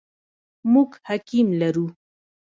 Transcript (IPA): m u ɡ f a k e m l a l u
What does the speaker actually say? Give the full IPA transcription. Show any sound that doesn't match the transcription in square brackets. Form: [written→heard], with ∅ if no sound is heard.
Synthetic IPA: m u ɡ [f→h] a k [e→i] m l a [l→ɾ] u